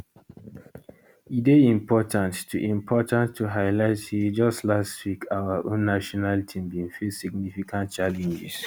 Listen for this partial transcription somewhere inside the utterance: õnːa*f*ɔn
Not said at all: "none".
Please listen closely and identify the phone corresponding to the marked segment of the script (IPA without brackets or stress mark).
ʃ